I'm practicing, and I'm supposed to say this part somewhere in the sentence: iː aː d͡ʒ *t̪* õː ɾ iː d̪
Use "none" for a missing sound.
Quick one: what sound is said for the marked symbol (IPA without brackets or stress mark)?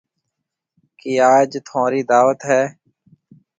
t̪ʰ